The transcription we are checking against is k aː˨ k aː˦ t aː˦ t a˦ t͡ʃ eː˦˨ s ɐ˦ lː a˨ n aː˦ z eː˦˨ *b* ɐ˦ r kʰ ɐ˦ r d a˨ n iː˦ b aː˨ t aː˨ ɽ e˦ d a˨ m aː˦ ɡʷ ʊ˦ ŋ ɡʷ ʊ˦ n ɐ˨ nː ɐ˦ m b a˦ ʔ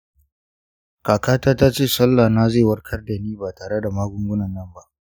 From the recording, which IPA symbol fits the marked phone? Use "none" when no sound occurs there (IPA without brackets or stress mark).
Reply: w